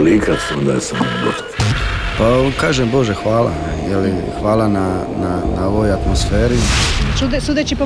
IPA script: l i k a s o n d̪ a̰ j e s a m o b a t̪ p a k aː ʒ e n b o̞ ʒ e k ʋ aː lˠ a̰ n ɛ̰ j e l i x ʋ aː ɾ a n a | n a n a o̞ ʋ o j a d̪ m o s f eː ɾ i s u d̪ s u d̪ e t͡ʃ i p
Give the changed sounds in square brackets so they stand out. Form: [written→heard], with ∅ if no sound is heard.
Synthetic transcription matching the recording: l i k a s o n d̪ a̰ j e s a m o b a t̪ p a k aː ʒ e [n→m] b o̞ ʒ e [k→x] ʋ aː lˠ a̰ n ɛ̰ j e l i x ʋ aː [ɾ→l] a n a | n a n a o̞ ʋ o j a [d̪→t̪] m o s f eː ɾ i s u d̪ s u d̪ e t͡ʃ i p